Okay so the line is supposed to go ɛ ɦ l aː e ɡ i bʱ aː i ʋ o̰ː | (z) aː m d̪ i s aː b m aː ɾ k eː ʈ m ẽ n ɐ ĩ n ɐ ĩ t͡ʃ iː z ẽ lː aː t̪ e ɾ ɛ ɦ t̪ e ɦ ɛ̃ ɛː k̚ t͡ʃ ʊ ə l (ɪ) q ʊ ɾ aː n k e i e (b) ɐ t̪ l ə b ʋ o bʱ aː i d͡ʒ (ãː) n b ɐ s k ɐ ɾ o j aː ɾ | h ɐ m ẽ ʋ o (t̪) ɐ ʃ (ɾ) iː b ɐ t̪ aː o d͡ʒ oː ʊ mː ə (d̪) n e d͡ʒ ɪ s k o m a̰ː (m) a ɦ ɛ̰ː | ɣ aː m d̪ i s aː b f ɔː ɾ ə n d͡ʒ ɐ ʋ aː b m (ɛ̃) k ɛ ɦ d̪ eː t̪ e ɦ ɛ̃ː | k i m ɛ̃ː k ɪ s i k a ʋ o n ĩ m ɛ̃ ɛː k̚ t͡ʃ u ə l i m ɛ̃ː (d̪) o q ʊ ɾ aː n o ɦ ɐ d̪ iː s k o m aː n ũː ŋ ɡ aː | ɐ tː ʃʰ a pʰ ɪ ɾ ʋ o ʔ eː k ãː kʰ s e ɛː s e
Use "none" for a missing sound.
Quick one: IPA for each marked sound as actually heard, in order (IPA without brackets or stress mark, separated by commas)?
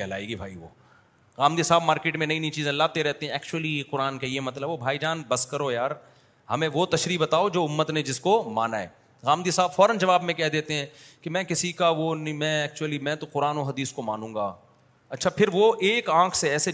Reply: ɣ, i, m, aː, t̪, ɾ, t̪, n, ẽ, t̪